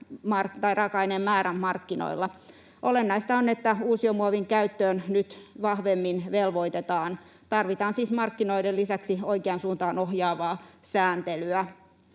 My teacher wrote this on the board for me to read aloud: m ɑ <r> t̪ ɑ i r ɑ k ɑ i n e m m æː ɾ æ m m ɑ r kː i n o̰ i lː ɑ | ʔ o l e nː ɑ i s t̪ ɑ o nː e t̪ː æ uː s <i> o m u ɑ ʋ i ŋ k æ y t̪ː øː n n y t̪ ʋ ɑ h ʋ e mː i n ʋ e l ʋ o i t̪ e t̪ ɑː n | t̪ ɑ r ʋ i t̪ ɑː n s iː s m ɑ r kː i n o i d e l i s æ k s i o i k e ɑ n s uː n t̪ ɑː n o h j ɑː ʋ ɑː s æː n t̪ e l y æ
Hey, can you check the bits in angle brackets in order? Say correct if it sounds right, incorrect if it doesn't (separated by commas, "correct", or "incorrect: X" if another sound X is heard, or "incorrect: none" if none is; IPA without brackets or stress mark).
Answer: correct, correct